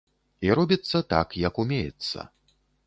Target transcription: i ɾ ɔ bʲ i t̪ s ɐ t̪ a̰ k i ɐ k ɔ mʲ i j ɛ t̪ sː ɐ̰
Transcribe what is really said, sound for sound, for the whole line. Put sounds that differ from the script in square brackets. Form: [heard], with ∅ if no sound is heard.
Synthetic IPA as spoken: i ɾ ɔ bʲ i t̪ [sː] ɐ t̪ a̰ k [j] ɐ k [u] mʲ [e] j ɛ t̪ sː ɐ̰